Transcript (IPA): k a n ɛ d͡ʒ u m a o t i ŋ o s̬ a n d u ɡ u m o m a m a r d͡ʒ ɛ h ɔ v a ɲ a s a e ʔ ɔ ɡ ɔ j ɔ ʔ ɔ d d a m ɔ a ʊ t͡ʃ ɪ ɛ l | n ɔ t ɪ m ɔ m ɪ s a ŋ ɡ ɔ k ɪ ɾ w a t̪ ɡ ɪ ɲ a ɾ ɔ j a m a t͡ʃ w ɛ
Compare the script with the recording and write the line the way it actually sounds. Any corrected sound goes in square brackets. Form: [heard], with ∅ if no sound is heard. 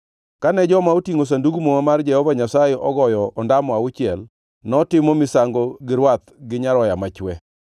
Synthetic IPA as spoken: k a n ɛ d͡ʒ [ɔ] m a o t i ŋ o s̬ a n d u ɡ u m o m a m a r d͡ʒ ɛ h ɔ v a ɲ a s a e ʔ ɔ ɡ ɔ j ɔ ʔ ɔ [n] d a m ɔ a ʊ t͡ʃ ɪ ɛ l | n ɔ t ɪ m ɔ m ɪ s a ŋ ɡ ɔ [ɡ] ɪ ɾ w a t̪ ɡ ɪ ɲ a ɾ ɔ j a m a t͡ʃ w ɛ